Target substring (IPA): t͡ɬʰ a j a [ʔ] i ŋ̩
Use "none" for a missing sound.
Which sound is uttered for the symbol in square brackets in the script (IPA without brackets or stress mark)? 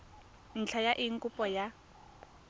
ʔ